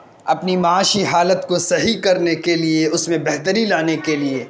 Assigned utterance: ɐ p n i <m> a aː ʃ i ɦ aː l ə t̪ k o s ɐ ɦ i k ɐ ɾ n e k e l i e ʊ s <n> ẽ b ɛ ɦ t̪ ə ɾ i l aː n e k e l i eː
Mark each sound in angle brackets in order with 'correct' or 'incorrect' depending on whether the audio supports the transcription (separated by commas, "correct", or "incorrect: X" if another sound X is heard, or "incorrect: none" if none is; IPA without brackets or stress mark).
correct, incorrect: m